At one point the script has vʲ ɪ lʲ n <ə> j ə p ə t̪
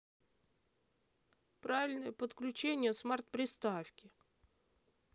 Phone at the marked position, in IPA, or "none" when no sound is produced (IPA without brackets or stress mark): ə